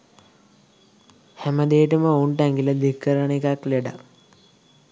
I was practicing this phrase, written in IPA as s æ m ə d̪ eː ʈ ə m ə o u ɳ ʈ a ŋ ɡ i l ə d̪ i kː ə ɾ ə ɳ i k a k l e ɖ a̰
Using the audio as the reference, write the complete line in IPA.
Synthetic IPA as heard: h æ m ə d̪ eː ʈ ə m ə o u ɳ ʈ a ŋ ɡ i l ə d̪ i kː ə ɾ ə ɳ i k a k l e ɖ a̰